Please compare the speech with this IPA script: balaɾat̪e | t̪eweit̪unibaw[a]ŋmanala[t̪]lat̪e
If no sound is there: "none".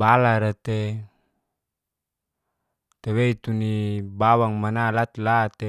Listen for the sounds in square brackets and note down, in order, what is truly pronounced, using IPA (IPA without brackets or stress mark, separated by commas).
a, t̪